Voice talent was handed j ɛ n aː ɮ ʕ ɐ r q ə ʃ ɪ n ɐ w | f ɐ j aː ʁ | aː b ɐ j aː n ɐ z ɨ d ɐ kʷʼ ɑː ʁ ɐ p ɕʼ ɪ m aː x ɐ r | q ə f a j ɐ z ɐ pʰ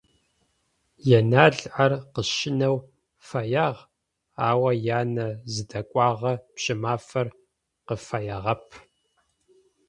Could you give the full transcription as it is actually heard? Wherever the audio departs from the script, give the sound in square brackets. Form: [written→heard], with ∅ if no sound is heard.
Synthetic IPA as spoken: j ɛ n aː ɮ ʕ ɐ r q ə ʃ ɪ n ɐ w | f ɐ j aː ʁ | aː [b→w] ɐ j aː n ɐ z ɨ d ɐ kʷʼ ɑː ʁ ɐ p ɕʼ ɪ m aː [x→f] ɐ r | q ə f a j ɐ [z→ʁ] ɐ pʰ